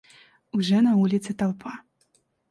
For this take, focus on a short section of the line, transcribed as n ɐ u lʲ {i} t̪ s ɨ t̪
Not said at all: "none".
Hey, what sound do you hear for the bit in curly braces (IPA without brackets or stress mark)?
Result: i